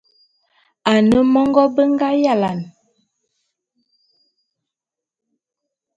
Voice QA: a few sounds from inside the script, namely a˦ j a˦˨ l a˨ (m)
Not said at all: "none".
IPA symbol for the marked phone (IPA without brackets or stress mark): n